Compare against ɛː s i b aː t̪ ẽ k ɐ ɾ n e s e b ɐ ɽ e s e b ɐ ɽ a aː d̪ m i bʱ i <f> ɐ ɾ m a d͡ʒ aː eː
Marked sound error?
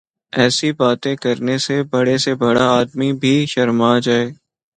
yes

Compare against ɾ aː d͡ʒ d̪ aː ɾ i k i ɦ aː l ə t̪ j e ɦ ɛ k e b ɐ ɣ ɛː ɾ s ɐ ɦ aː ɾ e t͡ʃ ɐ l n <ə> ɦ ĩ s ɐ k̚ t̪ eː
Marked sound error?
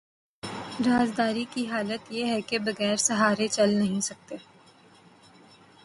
yes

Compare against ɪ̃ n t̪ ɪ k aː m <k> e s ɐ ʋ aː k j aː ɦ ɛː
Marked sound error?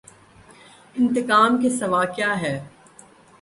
no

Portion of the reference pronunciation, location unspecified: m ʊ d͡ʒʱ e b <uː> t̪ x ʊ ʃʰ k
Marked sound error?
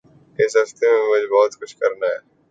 yes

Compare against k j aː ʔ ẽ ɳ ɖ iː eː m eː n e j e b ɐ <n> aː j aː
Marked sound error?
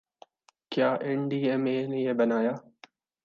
no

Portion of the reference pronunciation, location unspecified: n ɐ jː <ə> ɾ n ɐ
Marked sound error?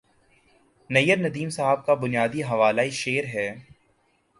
no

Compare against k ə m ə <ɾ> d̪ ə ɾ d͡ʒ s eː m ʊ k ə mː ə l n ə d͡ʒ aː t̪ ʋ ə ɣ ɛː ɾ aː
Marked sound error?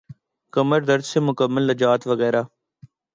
no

